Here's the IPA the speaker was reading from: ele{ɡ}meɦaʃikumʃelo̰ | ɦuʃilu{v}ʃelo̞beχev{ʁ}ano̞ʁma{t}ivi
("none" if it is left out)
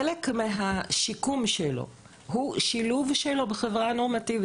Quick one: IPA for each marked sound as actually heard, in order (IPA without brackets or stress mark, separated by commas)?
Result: k, v, ʁ, t